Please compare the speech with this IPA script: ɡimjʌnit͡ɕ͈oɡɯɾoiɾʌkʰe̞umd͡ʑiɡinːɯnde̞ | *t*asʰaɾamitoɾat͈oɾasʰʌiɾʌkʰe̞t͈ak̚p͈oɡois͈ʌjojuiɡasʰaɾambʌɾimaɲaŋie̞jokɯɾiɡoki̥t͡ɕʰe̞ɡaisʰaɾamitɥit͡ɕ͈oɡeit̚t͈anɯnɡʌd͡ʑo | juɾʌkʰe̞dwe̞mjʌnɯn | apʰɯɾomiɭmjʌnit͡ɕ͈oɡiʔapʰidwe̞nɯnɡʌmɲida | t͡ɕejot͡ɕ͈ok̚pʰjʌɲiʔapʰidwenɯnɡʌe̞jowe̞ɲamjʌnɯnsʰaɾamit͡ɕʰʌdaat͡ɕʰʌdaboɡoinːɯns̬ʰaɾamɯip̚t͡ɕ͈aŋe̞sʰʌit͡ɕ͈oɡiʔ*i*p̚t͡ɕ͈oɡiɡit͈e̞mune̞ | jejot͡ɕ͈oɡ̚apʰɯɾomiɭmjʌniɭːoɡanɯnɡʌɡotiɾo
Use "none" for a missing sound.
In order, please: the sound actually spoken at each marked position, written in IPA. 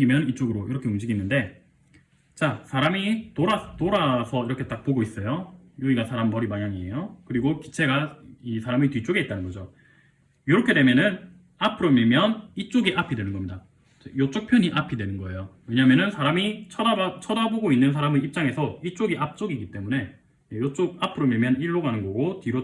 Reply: t͡ɕ, a

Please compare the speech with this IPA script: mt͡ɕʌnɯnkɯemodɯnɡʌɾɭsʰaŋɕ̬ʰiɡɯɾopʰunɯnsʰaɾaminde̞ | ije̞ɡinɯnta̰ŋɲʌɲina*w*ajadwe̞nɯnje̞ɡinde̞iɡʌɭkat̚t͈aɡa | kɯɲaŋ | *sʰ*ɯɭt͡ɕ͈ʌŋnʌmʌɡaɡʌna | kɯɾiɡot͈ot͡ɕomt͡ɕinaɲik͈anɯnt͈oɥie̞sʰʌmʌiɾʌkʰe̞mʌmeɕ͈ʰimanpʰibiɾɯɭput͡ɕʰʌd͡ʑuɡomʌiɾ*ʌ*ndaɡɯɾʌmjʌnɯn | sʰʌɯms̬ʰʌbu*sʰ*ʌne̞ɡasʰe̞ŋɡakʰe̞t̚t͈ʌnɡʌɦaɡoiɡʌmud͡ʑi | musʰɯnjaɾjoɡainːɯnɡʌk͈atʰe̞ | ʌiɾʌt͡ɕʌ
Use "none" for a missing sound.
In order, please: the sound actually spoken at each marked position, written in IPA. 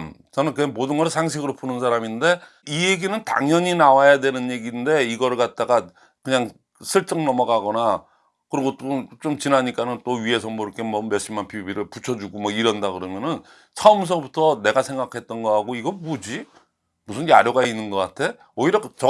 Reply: w, sʰ, ʌ, tʰ

